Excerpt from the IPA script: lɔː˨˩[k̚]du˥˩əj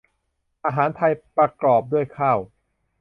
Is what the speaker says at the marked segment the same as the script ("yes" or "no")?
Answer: no